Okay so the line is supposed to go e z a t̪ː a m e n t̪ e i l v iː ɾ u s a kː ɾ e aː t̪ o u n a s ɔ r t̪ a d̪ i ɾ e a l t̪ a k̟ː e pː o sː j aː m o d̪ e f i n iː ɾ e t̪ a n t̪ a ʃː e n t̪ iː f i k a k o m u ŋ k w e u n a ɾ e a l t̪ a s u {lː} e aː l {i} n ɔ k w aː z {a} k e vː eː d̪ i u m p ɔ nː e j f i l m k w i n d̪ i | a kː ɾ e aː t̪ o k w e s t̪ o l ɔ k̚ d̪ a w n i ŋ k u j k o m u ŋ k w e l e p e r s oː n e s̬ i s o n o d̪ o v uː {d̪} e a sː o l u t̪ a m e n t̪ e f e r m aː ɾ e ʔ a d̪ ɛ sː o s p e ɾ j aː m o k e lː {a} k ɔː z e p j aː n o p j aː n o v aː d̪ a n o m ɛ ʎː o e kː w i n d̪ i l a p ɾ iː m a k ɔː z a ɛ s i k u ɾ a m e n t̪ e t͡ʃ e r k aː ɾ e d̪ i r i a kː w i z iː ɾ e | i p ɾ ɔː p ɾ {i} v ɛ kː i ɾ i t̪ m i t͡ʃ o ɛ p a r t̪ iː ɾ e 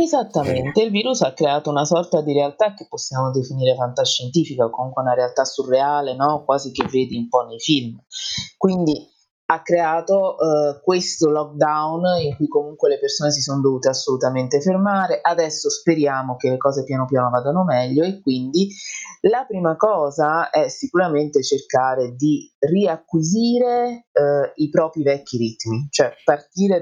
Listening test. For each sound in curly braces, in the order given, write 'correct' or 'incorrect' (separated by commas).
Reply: incorrect, incorrect, incorrect, incorrect, incorrect, correct